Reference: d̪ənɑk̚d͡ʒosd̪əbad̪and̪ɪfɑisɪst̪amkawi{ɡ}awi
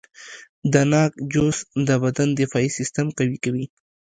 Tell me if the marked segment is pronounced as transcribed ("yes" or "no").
no